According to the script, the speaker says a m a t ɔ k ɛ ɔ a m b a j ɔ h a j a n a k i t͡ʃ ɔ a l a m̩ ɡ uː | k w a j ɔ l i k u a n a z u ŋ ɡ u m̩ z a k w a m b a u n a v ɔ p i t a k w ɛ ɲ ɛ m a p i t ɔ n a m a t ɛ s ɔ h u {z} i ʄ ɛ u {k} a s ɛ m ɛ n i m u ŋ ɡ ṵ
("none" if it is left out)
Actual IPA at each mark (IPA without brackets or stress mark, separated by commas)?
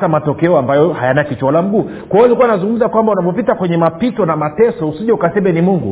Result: s, k